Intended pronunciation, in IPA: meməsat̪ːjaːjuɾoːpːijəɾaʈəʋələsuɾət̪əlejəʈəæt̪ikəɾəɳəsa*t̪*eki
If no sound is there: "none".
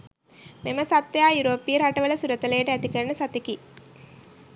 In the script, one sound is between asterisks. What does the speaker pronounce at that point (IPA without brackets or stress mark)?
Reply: t̪